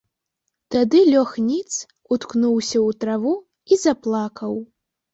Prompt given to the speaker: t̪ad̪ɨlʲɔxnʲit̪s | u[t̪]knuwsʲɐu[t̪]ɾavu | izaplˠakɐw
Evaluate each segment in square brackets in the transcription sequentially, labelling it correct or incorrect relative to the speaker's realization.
correct, correct

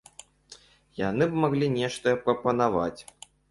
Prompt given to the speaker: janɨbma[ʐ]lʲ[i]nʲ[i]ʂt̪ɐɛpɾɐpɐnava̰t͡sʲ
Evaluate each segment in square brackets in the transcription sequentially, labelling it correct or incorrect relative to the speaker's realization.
incorrect, correct, incorrect

